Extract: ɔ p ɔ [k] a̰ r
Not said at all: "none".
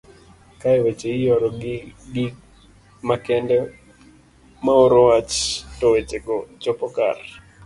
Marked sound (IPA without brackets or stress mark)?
k